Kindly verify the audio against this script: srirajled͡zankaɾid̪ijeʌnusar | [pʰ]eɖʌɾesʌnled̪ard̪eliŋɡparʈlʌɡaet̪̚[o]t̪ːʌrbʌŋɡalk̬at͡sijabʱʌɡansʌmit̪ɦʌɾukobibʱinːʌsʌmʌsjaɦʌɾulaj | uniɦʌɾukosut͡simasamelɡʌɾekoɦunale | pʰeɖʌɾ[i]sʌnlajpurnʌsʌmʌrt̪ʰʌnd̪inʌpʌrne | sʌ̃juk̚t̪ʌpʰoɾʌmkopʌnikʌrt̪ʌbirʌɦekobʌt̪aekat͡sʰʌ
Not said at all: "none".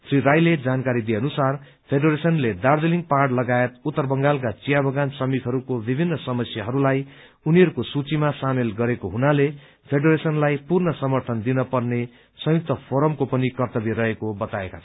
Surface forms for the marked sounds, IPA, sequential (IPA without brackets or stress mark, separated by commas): pʰ, u, e